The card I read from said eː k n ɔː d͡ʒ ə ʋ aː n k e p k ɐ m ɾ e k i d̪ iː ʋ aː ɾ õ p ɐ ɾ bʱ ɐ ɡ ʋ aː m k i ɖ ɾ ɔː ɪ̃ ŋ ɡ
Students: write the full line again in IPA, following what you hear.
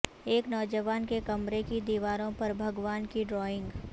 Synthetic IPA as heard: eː k n ɔː d͡ʒ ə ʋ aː n k e k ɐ m ɾ e k i d̪ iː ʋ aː ɾ õ p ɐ ɾ bʱ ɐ ɡ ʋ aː n k i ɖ ɾ ɔː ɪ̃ ŋ ɡ